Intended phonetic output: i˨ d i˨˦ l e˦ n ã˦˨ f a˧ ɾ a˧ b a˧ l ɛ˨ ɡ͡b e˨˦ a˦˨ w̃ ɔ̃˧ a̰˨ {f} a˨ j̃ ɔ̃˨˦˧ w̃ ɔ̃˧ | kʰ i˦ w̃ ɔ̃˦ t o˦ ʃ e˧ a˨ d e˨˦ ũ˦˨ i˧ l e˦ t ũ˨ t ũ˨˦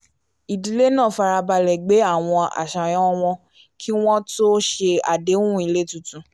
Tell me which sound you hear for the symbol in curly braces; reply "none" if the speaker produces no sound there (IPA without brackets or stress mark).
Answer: ʃ